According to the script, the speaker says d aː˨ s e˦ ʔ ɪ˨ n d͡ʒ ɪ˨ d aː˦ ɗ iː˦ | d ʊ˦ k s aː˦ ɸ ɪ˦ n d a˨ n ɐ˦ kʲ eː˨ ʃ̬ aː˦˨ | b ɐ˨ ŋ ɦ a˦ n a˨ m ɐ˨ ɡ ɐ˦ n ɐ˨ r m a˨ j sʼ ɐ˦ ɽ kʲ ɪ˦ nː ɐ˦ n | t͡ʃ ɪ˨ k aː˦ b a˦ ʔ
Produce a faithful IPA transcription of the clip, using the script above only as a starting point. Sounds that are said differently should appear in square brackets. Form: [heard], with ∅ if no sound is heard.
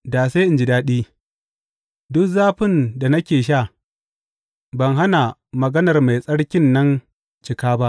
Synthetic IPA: d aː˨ s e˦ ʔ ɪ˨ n d͡ʒ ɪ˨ d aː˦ ɗ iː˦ | d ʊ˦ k [z] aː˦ ɸ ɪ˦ n d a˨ n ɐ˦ kʲ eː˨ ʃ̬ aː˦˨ | b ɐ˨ ŋ ɦ a˦ n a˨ m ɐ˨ ɡ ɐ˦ n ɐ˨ r m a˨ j sʼ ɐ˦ ɽ kʲ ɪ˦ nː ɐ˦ n | t͡ʃ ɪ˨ k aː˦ b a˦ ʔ